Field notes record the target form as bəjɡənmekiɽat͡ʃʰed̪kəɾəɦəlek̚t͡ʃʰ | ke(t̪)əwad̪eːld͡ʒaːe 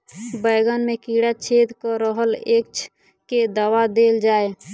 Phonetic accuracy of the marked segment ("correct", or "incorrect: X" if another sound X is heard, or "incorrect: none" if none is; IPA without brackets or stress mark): incorrect: d̪